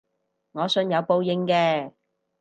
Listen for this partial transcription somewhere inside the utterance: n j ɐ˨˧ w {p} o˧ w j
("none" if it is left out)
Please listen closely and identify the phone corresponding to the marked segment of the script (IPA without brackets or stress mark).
p